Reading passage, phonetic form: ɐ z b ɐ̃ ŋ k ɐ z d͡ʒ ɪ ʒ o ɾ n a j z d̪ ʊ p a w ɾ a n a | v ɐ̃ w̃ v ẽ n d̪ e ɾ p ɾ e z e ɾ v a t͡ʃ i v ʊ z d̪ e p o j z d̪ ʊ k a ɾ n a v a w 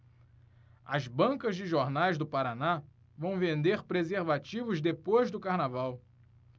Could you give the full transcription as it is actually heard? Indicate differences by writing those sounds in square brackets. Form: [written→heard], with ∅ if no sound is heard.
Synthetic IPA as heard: ɐ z b ɐ̃ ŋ k ɐ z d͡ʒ ɪ ʒ o ɾ n a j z d̪ ʊ p a [w→∅] ɾ a n a | v ɐ̃ w̃ v ẽ n d̪ e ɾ p ɾ e z e ɾ v a t͡ʃ i v ʊ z d̪ e p o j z d̪ ʊ k a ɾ n a v a w